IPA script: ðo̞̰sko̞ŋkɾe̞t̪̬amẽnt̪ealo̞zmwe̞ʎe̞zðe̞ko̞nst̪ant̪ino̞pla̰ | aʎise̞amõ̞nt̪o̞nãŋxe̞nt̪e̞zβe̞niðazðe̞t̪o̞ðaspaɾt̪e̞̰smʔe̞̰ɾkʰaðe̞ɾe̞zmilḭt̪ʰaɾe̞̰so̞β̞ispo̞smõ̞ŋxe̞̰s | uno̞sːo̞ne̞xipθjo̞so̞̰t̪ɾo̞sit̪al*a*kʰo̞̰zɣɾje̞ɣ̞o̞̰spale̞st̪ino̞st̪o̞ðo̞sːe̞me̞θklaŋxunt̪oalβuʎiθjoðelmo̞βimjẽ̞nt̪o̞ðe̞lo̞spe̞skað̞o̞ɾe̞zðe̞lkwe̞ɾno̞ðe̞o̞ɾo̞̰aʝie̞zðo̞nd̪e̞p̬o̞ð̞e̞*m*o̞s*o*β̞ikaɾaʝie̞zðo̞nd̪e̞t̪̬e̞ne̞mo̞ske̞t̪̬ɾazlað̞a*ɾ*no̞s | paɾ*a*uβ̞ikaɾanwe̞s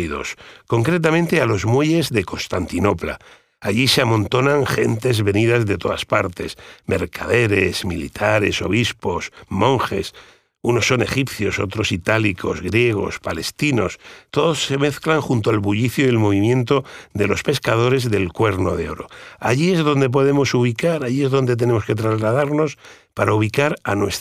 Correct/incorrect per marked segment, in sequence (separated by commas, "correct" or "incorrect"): incorrect, correct, incorrect, correct, correct